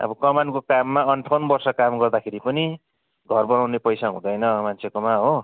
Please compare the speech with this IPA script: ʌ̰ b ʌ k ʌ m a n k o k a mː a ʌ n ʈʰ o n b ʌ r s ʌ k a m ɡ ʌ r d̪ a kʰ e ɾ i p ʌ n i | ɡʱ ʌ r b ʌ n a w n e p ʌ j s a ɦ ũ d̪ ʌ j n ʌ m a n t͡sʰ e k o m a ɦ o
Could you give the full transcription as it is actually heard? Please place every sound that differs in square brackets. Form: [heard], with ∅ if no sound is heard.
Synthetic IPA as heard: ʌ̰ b ʌ k ʌ m a n k o k a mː a ʌ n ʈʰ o n b ʌ r s ʌ k a m ɡ ʌ r d̪ a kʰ e ɾ i p ʌ n i | ɡʱ ʌ r b ʌ n a w n e p ʌ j s a ɦ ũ d̪ ʌ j n ʌ m a n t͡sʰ e k o m a ɦ o

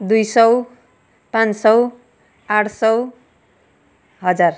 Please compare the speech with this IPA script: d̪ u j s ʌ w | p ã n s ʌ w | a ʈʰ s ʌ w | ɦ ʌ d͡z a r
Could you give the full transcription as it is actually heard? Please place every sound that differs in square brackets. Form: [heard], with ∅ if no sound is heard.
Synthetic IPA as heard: d̪ u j s ʌ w | p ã n s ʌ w | a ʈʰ s ʌ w | ɦ ʌ d͡z a r

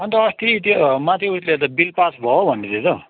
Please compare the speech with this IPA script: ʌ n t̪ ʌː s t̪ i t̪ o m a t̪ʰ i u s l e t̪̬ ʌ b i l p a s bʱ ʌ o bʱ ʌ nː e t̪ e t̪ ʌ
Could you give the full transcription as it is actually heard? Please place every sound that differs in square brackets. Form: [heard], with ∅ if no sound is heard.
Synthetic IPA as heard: ʌ n t̪ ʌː s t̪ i t̪ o m a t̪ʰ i u s l e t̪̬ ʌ b i l p a s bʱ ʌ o bʱ ʌ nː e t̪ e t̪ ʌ

